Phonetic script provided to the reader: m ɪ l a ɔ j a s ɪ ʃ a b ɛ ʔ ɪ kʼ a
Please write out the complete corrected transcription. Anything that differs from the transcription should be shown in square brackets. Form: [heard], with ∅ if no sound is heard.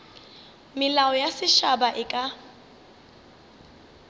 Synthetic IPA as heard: m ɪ l a ɔ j a s ɪ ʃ a b [a] ʔ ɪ kʼ a